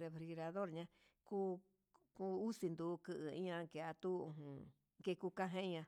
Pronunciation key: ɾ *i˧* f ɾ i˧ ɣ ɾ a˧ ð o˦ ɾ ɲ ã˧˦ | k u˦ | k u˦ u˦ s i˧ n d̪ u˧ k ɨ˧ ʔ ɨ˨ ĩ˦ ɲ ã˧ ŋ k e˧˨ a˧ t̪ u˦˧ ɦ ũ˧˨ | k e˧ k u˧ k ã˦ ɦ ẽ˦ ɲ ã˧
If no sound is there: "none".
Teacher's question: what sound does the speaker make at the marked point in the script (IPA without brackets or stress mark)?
e˧